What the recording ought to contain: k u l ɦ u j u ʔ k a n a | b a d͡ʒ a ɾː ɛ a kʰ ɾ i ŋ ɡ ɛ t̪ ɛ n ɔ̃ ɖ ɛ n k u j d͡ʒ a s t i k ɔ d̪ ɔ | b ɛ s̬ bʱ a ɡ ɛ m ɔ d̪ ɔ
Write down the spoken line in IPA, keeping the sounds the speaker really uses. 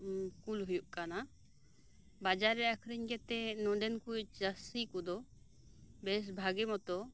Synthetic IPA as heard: k u l ɦ u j u ʔ k a n a | b a d͡ʒ a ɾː ɛ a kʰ ɾ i ɲ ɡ ɛ t̪ ɛ n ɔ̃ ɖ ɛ n k u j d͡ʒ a s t i k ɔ d̪ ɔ | b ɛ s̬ bʱ a ɡ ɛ m ɔ t̪ ɔ